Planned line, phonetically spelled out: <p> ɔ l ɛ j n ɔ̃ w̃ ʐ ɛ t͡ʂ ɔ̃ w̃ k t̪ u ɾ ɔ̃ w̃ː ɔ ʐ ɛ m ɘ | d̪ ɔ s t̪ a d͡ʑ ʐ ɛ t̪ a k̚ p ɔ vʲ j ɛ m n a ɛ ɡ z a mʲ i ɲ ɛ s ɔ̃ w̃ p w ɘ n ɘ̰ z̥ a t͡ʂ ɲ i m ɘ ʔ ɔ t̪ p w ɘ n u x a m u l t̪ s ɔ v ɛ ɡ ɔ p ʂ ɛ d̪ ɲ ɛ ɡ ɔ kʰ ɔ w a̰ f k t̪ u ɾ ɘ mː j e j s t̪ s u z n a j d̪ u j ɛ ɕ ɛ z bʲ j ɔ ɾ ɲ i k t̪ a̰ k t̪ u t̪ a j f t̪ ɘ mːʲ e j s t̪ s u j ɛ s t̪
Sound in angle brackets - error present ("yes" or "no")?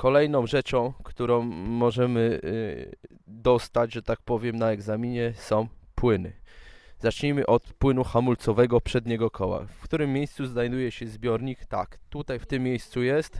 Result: yes